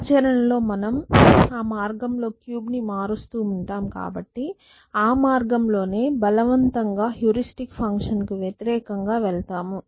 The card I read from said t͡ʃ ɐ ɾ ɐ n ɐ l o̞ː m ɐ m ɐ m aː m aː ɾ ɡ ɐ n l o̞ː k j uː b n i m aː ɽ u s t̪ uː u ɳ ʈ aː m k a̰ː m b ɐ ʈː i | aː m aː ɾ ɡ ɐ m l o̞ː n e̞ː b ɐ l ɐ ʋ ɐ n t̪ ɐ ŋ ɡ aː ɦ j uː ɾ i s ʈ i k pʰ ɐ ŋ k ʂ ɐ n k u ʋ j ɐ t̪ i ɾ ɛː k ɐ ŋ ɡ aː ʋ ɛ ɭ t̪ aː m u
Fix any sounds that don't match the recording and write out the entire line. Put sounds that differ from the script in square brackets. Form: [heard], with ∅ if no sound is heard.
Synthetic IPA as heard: t͡ʃ ɐ ɾ ɐ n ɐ l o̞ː m ɐ [n] ɐ m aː m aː ɾ ɡ ɐ [m] l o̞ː k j uː b n i m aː [ɾ] u s t̪ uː u ɳ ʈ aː m k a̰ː [∅] b ɐ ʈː i | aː m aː ɾ ɡ ɐ m l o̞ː n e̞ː b ɐ l ɐ ʋ ɐ n t̪ ɐ ŋ ɡ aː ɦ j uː ɾ i s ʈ i k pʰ ɐ ŋ k ʂ ɐ n k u ʋ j ɐ t̪ i ɾ ɛː k ɐ ŋ ɡ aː ʋ ɛ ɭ t̪ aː m u